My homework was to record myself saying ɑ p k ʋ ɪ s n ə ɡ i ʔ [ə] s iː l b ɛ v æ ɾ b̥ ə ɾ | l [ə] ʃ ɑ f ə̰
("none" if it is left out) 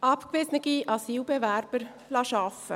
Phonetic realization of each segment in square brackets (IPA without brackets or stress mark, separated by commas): ɑ, ɑ